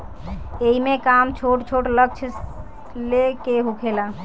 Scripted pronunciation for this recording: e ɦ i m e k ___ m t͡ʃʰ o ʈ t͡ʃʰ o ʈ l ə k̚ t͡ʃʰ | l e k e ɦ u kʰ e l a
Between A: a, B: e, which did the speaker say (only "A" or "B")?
A